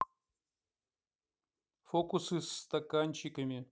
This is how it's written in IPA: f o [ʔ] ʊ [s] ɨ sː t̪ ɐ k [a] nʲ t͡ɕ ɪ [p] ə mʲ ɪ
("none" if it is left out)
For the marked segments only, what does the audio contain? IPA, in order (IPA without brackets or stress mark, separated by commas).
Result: k, s, a, k